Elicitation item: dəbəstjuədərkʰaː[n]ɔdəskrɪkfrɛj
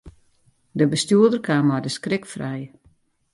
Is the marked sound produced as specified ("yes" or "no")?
no